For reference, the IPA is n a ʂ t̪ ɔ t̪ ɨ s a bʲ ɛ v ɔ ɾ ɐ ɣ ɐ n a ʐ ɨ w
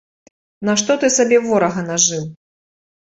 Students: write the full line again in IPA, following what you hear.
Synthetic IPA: n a ʂ t̪ ɔ t̪ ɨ s a bʲ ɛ v ɔ ɾ ɐ ɣ ɐ n a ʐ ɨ w